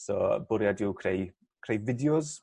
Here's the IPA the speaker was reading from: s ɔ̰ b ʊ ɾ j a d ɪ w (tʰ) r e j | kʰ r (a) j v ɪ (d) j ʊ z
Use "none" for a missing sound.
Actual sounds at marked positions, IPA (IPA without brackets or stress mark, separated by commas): kʰ, e, d